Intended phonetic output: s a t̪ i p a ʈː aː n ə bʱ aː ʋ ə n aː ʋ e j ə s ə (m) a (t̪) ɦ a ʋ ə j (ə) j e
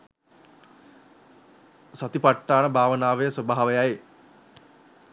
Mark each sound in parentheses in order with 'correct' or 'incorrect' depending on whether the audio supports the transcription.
incorrect: b, incorrect: none, incorrect: a

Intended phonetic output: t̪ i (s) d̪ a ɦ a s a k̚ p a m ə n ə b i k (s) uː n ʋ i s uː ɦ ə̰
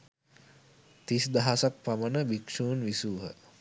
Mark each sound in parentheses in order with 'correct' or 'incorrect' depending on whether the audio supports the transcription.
correct, incorrect: ʂ

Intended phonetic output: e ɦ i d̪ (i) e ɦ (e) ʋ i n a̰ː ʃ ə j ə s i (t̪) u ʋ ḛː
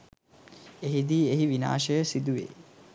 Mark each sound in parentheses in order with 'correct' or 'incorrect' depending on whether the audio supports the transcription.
incorrect: iː, incorrect: i, incorrect: d̪

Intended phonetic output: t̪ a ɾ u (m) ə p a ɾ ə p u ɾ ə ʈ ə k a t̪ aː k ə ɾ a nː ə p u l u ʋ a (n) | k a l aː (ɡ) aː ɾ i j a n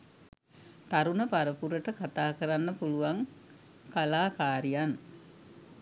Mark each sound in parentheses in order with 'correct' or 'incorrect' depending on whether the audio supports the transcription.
incorrect: n, incorrect: ŋ, incorrect: k

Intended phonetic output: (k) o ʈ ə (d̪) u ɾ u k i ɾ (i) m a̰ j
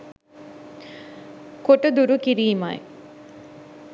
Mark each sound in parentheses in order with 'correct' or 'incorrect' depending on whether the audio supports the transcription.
correct, correct, incorrect: iː

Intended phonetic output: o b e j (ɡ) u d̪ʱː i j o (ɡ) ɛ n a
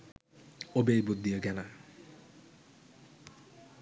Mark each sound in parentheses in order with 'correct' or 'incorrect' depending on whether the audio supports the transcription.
incorrect: b, correct

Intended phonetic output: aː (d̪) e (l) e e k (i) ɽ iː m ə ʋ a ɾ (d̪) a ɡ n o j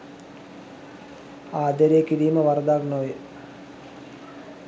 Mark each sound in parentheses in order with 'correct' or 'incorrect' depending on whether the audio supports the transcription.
correct, incorrect: ɾ, correct, correct

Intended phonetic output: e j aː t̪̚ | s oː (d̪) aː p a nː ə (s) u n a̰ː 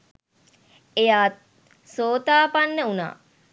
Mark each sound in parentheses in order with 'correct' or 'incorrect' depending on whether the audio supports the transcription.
incorrect: t̪, incorrect: none

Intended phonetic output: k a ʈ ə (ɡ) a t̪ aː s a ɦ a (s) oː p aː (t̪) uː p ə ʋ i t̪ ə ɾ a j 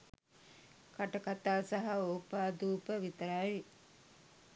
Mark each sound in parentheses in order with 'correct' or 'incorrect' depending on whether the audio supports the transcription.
incorrect: k, incorrect: none, incorrect: d̪

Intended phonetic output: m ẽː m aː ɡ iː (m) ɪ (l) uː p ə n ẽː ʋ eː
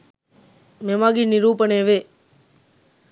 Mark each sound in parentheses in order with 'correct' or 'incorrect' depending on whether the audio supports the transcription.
incorrect: n, incorrect: ɾ

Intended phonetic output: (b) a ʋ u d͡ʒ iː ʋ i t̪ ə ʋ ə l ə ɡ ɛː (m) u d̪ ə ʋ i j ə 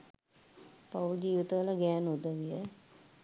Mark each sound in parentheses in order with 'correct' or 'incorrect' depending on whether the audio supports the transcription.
incorrect: p, incorrect: n

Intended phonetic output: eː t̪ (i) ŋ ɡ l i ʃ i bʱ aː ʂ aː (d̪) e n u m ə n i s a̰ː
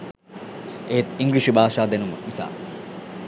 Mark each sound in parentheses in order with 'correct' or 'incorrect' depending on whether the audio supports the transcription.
correct, correct

